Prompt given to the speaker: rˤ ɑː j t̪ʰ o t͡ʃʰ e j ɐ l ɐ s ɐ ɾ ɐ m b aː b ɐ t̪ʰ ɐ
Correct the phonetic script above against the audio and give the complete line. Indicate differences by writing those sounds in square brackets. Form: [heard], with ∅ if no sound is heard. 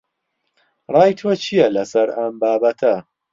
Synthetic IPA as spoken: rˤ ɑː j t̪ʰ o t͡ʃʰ [i] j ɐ l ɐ s ɐ ɾ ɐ m b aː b ɐ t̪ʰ ɐ